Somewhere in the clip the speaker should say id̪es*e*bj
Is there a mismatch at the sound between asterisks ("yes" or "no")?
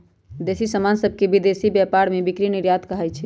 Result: yes